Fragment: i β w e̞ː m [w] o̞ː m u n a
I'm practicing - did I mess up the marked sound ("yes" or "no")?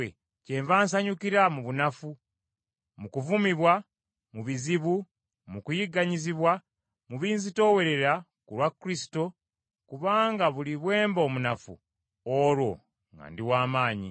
yes